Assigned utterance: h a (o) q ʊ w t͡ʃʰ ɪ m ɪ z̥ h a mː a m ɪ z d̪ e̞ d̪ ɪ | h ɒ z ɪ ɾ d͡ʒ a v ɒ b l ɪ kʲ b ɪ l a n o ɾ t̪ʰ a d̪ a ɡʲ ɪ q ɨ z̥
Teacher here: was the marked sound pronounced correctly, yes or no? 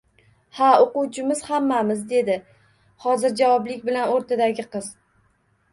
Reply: yes